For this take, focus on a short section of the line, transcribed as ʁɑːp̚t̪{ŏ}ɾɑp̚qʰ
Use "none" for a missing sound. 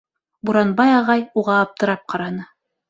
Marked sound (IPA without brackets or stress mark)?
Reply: ɤ̆